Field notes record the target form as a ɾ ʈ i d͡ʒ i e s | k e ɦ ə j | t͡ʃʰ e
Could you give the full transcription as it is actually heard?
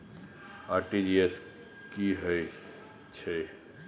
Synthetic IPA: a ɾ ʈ i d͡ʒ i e s | k i ɦ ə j | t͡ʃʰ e